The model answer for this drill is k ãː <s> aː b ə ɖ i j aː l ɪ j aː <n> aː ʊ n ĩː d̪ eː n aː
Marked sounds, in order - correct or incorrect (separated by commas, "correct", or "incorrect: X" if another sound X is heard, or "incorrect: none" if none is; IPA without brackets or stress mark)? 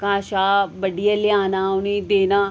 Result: incorrect: ʃ, correct